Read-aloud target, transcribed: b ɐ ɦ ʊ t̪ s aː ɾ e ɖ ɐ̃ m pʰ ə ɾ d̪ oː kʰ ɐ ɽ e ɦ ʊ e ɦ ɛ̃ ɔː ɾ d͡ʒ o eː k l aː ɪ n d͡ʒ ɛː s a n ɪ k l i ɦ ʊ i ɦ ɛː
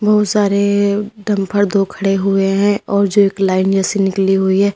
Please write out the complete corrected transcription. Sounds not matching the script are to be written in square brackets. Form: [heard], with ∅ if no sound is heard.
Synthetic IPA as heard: b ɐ ɦ ʊ t̪ s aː ɾ e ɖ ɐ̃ m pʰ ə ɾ d̪ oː kʰ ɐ ɽ e ɦ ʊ e ɦ ɛ̃ ɔː ɾ d͡ʒ o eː k l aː ɪ n d͡ʒ ɛː s [e] n ɪ k l i ɦ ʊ i ɦ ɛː